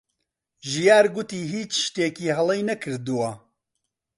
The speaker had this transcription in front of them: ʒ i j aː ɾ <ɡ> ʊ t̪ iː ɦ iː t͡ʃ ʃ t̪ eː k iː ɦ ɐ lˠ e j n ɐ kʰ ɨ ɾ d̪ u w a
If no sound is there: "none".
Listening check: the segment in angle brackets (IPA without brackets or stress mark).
ɡ